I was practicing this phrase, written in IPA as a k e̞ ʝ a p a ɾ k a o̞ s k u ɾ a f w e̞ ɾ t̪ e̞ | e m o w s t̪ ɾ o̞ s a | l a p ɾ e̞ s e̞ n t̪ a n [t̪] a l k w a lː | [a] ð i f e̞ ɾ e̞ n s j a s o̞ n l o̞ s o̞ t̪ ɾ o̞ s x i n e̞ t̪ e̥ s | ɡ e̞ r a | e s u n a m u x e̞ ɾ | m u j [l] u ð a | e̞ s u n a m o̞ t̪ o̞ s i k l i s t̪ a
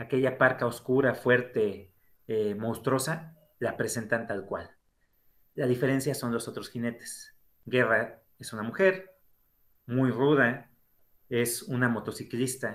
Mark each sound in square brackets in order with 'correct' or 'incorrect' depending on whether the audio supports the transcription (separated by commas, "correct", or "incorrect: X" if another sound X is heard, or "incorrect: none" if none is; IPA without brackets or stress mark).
correct, correct, incorrect: r